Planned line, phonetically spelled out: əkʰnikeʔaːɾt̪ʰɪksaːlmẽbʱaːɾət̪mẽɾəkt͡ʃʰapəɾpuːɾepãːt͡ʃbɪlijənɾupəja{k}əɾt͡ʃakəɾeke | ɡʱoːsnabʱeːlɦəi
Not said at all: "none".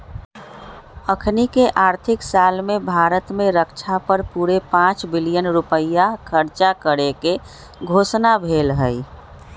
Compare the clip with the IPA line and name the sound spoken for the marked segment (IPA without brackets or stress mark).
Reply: kʰ